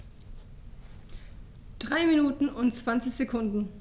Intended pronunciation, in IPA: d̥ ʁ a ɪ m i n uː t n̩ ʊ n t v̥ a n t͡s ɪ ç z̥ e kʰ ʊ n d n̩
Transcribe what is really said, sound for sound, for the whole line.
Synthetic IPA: d̥ ʁ a ɪ m i n uː t n̩ ʊ n t͡s v̥ a n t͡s ɪ ç z̥ e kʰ ʊ n d n̩